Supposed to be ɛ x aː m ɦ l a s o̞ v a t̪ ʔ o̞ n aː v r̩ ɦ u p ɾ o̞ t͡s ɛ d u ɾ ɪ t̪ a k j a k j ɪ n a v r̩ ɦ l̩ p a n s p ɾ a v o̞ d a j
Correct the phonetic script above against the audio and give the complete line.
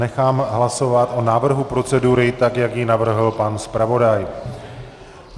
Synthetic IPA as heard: ɛ x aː m ɦ l a s o̞ v a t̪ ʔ o̞ n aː v r̩ ɦ u p ɾ o̞ t͡s ɛ d u ɾ ɪ t̪ a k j a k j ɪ n a v r̩ ɦ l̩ p a n s p ɾ a v o̞ d a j